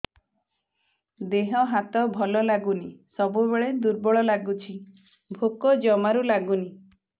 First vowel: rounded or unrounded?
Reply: unrounded